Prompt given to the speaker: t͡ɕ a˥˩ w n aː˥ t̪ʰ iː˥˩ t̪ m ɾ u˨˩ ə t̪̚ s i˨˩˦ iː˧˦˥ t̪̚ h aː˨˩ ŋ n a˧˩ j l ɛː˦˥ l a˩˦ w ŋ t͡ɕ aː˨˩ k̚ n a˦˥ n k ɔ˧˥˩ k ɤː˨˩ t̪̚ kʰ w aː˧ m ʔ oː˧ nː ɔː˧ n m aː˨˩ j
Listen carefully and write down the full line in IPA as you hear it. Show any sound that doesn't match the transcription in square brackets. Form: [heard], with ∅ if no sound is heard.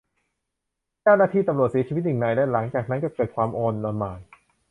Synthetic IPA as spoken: t͡ɕ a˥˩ w n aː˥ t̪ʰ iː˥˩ t̪ m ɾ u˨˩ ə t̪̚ s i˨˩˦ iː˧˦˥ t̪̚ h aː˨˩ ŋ n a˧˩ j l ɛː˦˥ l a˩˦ [∅] ŋ t͡ɕ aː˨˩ k̚ n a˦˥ n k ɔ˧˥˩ k ɤː˨˩ t̪̚ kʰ w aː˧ m ʔ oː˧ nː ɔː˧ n m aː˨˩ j